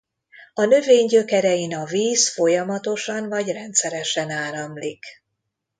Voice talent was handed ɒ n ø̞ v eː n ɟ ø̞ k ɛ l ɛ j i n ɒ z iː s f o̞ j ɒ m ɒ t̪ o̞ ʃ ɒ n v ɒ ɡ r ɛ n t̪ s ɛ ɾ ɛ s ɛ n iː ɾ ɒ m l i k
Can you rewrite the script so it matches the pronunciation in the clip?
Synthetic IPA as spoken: ɒ n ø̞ v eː ɲ ɟ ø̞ k ɛ ɾ ɛ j i n ɒ v iː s f o̞ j ɒ m ɒ t̪ o̞ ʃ ɒ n v ɒ ɟ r ɛ n t̪ s ɛ ɾ ɛ ʃ ɛ n aː ɾ ɒ m l i k